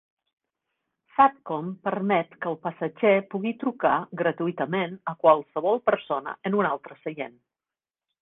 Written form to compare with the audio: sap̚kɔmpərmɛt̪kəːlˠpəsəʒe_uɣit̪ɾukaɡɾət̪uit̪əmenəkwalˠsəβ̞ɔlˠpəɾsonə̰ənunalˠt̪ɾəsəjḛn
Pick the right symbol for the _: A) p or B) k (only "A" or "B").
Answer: A